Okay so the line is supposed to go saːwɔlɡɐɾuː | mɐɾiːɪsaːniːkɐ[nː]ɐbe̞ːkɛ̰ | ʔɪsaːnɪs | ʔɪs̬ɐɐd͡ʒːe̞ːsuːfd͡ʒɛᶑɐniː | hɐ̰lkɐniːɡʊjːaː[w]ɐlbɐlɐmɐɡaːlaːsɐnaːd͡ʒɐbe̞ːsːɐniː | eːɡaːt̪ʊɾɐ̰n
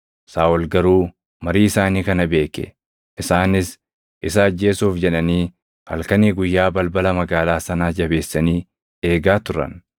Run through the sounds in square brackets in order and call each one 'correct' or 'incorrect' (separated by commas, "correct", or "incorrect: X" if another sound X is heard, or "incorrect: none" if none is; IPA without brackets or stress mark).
incorrect: n, incorrect: b